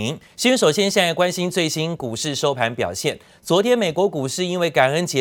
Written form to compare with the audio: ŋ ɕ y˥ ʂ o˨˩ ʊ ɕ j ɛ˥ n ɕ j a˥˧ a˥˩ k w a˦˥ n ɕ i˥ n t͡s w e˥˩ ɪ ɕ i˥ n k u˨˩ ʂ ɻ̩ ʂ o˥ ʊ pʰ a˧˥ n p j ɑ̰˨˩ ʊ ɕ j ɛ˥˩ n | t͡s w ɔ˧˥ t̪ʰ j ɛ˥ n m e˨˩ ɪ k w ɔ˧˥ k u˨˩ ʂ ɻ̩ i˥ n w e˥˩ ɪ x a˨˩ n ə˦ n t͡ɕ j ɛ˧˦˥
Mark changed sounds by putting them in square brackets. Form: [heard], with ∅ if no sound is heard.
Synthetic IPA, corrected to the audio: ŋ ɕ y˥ ʂ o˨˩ ʊ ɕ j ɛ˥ n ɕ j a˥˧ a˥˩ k w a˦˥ n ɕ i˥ n t͡s w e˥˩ ɪ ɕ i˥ n k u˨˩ ʂ ɻ̩ ʂ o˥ ʊ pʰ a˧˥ n p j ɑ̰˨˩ ʊ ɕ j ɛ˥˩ n | t͡s w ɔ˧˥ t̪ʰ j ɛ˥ n m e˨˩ ɪ k w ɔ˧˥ k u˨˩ ʂ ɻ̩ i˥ n w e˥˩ ɪ [k] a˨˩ n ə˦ n t͡ɕ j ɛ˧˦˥